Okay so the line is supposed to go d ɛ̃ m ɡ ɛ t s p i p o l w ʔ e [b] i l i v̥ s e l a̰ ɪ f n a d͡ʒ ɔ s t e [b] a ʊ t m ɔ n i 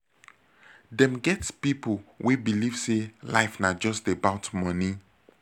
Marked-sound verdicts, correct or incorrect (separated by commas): correct, correct